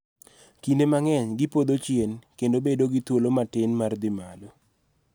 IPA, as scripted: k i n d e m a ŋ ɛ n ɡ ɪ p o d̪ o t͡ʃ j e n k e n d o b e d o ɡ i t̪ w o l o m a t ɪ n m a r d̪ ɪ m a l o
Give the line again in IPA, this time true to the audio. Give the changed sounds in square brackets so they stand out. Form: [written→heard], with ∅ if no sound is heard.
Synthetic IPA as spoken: k i n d e m a ŋ ɛ [n→ɲ] ɡ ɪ p o d̪ o t͡ʃ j e n k e n d o b e d o ɡ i t̪ w o l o m a t ɪ n m a r d̪ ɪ m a l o